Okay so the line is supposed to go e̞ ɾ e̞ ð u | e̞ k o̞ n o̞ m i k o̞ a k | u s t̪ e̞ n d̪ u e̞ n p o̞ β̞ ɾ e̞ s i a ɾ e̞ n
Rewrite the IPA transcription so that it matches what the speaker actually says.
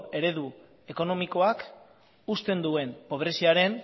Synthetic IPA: e̞ ɾ e̞ ð u | e̞ k o̞ n o̞ m i k o̞ a k | u s t̪ e̞ n d̪ u e̞ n p o̞ β̞ ɾ e̞ s i a ɾ e̞ n